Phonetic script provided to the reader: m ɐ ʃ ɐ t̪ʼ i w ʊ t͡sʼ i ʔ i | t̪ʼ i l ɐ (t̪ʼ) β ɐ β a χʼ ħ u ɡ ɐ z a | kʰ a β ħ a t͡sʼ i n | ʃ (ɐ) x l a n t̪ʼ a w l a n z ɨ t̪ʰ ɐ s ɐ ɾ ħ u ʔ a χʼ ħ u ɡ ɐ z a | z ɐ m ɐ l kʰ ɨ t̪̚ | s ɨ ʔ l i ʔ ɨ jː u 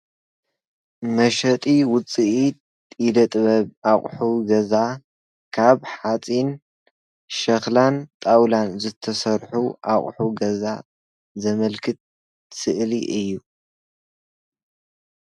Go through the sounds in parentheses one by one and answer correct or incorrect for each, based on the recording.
correct, correct

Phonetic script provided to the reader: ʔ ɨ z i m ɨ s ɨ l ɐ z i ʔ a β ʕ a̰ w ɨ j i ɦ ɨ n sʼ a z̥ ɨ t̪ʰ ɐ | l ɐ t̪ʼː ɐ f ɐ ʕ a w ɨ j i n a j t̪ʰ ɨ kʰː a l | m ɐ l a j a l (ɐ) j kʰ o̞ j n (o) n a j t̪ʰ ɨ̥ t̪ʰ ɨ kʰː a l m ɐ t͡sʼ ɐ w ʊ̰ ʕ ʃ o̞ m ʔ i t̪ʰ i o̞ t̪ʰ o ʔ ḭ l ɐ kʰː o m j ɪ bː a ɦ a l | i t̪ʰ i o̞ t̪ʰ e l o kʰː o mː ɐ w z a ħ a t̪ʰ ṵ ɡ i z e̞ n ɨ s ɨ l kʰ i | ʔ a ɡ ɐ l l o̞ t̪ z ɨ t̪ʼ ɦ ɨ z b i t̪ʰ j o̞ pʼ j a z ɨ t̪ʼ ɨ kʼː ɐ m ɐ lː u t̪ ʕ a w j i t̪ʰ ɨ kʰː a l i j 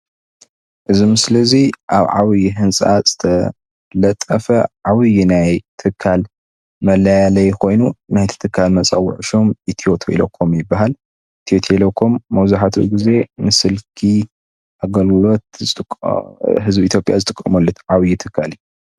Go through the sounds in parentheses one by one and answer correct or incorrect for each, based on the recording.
correct, incorrect

